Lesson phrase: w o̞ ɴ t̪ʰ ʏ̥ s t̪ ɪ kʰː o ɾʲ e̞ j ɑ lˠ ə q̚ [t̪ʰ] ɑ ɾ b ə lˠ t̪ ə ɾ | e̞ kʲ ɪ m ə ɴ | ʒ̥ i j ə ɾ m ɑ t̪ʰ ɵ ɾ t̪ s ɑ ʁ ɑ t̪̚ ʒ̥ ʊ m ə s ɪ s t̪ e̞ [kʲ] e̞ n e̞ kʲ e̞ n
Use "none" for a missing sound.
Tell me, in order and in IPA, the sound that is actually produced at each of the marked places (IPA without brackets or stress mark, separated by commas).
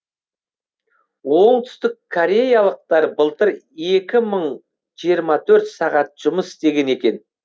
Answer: t̪, ɡʲ